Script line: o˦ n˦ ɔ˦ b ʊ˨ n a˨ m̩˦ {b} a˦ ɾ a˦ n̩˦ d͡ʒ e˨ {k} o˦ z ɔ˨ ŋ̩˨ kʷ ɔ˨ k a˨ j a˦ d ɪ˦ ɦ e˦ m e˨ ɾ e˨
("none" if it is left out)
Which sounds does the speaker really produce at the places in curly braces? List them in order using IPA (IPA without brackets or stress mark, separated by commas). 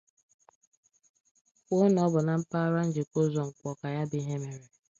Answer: p, k